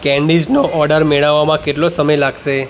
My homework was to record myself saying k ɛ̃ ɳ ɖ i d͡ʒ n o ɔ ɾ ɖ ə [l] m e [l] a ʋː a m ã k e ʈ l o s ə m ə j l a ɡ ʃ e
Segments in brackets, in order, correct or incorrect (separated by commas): incorrect, incorrect